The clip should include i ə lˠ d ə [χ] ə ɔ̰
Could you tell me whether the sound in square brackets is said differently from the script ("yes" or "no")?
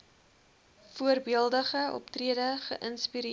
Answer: no